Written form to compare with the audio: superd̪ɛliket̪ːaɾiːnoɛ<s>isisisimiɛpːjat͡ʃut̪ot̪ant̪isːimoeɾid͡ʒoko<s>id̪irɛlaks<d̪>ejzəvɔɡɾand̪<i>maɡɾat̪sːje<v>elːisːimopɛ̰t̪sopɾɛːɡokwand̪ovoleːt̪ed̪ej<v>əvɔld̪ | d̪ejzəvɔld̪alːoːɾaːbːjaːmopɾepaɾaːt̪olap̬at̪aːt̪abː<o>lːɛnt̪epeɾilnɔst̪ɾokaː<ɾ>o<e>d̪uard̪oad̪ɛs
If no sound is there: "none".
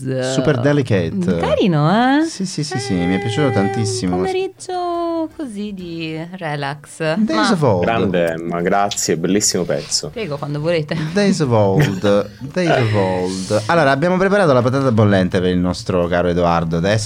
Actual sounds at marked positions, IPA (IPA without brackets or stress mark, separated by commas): s, z, d̪, e, b, z, o, ɾ, e